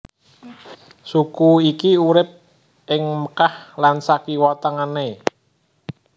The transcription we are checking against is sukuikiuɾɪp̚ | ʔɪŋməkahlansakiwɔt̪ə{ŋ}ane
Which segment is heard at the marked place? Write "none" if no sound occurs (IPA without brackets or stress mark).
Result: ŋ